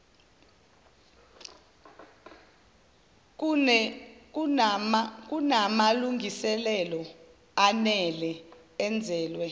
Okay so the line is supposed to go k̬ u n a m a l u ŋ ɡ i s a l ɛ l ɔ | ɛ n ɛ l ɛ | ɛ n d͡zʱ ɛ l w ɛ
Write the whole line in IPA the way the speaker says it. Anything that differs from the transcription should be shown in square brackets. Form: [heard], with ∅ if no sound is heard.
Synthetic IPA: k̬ u n a m a l u ŋ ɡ i s [ɛ] l ɛ l ɔ | [a] n ɛ l ɛ | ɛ n d͡zʱ [ɛː] l w ɛ